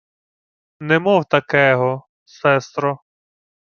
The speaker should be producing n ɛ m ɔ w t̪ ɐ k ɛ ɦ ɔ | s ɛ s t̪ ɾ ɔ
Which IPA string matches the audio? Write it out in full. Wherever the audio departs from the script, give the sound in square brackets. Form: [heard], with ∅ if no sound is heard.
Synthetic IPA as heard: n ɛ m ɔ w t̪ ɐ k ɛ ɦ ɔ | s ɛ s t̪ ɾ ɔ